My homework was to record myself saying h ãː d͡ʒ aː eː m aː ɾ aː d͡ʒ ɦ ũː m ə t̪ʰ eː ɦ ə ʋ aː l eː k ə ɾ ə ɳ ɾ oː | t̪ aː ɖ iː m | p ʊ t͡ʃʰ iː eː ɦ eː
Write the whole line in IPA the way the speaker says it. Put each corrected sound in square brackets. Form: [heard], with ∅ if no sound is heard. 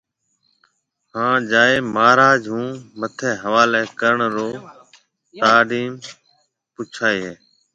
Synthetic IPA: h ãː d͡ʒ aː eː m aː ɾ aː d͡ʒ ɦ ũː m ə t̪ʰ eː ɦ ə ʋ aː l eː k ə ɾ ə ɳ ɾ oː | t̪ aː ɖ iː m | p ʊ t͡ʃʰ [aː] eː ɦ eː